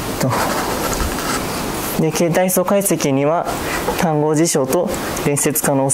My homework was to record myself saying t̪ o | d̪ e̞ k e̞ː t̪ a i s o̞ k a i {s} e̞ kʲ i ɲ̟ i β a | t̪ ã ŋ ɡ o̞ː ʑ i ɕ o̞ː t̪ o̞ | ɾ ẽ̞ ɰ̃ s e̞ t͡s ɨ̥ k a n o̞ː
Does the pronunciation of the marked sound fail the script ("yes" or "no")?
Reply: no